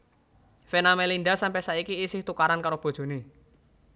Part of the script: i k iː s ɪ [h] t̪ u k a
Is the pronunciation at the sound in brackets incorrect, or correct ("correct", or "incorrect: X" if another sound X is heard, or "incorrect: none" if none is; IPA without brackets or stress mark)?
correct